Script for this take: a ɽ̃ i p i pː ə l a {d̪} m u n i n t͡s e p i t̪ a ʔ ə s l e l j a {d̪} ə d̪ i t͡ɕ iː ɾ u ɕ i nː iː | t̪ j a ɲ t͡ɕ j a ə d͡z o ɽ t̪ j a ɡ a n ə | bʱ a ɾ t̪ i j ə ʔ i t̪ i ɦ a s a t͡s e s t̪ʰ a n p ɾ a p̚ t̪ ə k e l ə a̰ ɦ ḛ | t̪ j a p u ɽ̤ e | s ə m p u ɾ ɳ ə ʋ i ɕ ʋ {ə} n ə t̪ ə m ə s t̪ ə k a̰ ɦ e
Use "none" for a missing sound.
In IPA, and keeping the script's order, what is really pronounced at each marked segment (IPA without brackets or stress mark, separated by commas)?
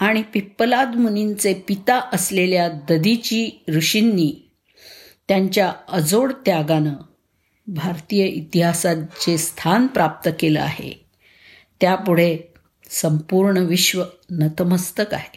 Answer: d̪, d̪, ə